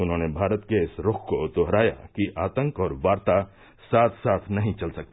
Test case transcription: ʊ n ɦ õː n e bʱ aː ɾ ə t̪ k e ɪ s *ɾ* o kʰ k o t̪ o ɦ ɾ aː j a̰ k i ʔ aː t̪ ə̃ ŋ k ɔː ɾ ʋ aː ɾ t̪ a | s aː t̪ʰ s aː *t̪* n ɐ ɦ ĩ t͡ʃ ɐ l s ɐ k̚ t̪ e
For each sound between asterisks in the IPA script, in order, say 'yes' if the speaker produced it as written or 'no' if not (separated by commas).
yes, no